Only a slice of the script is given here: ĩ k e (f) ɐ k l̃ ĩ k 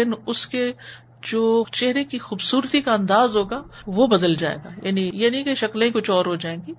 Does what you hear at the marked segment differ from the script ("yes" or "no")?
yes